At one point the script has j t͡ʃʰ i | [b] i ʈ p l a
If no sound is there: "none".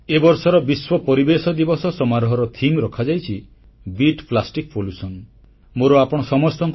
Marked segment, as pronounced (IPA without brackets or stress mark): b